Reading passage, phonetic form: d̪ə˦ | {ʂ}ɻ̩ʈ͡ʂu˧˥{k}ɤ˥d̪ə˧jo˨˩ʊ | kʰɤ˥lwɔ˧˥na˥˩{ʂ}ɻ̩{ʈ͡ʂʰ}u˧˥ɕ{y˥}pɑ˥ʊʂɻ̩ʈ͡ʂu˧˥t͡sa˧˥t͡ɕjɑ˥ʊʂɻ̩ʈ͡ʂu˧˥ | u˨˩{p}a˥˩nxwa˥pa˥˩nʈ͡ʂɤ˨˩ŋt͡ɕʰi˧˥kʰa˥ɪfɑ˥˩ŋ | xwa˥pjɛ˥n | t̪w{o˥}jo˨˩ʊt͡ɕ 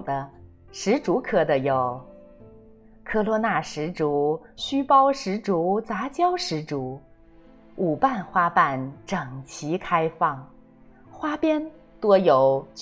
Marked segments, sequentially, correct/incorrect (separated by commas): correct, incorrect, correct, incorrect, correct, correct, incorrect